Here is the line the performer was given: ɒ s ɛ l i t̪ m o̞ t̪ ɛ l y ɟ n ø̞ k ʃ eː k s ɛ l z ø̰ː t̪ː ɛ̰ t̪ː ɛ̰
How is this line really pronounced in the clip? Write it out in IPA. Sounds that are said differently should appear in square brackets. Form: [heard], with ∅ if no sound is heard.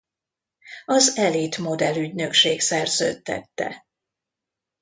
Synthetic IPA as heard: ɒ [z] ɛ l i t̪ m o̞ [d̪] ɛ l y ɟ n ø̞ k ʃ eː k s ɛ [r] z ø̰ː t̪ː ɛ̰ t̪ː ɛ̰